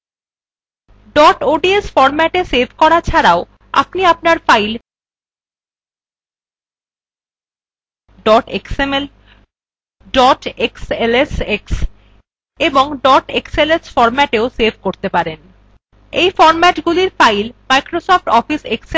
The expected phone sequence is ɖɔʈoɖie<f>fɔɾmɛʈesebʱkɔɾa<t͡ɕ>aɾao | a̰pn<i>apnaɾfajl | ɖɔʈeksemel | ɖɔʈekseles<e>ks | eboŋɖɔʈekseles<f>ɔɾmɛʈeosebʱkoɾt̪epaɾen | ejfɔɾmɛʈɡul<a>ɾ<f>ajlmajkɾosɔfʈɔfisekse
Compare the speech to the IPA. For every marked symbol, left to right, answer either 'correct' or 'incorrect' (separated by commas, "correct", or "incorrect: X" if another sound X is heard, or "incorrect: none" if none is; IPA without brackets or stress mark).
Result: incorrect: s, incorrect: t͡ɕʰ, correct, correct, correct, incorrect: i, correct